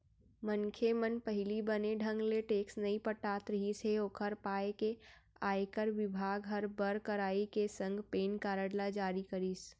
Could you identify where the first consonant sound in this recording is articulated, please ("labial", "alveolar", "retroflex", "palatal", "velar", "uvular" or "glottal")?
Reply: labial